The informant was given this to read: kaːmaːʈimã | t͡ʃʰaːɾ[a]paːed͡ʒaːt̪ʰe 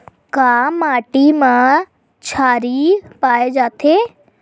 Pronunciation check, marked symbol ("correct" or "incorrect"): incorrect